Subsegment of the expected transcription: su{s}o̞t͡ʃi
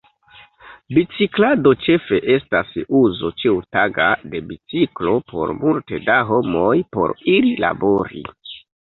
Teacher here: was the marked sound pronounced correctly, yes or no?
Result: no